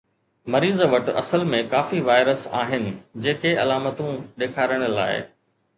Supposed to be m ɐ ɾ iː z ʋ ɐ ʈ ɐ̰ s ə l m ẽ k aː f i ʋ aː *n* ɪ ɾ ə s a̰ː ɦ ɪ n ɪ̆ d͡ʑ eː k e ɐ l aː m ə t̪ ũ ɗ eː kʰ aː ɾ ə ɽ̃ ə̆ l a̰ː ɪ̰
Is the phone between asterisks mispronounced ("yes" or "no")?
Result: yes